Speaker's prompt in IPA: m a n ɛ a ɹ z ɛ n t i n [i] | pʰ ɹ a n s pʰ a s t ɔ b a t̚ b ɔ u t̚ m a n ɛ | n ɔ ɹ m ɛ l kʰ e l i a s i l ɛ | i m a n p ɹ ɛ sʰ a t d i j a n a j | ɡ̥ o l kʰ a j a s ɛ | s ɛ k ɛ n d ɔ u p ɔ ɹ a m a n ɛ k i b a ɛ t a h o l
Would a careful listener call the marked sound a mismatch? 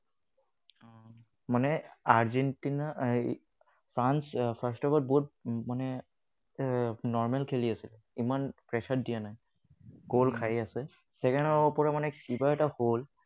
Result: yes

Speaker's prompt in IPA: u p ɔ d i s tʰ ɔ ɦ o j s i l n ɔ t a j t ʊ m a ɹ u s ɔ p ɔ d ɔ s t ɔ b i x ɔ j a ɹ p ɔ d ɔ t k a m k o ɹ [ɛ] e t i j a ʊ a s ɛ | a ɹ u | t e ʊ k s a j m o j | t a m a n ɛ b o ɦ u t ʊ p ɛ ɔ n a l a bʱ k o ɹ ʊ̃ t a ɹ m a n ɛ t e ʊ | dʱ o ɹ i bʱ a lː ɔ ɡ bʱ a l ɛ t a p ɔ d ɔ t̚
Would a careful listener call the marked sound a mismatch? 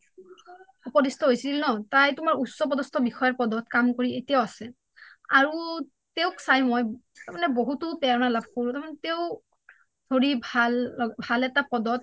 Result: yes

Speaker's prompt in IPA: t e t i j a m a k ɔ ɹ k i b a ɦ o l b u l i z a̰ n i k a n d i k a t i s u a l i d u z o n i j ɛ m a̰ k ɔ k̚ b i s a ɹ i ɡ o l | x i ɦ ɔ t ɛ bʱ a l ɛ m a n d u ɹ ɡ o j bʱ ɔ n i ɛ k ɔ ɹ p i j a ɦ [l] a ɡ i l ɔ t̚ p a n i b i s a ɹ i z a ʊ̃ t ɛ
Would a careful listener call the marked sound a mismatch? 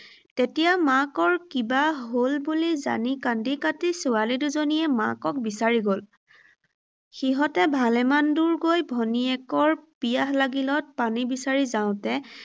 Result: no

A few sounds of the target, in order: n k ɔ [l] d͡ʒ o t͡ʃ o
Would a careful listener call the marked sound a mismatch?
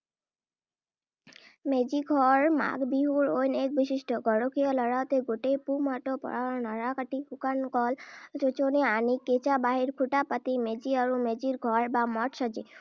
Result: no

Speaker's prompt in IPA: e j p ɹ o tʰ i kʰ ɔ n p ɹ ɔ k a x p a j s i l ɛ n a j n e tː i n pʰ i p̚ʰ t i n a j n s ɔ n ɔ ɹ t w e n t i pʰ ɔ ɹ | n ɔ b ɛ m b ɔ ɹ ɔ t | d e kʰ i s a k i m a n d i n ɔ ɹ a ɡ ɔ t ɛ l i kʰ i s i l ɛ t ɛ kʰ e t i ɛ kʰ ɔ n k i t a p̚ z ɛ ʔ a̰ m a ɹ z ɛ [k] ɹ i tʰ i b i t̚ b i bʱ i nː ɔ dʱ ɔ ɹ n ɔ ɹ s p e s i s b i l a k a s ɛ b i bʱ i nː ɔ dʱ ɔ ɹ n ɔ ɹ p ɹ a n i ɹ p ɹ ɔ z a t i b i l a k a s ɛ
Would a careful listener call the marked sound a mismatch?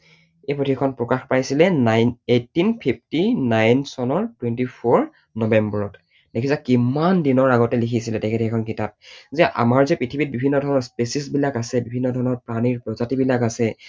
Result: yes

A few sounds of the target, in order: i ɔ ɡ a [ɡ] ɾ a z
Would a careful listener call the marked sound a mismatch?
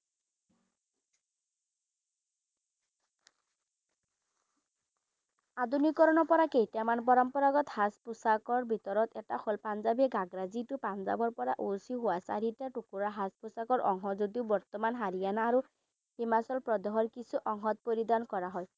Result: no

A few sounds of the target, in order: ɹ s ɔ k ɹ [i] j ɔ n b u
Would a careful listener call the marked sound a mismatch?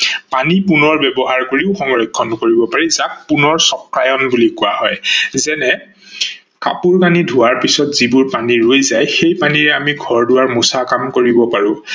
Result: yes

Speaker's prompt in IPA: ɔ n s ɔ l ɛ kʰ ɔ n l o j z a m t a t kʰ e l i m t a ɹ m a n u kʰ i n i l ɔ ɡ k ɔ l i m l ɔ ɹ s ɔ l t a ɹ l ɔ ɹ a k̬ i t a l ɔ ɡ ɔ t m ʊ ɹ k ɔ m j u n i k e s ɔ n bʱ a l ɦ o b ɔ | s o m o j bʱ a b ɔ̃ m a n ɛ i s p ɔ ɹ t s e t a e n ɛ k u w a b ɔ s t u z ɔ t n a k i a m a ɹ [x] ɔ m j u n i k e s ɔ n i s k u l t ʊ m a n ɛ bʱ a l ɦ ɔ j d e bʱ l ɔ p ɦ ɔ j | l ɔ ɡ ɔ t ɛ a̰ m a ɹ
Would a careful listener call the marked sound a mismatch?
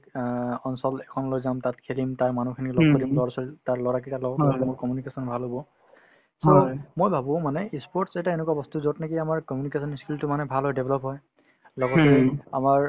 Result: yes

